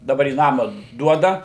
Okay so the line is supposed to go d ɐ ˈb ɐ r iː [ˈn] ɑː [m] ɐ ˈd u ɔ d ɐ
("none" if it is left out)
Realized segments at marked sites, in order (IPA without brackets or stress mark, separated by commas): n, m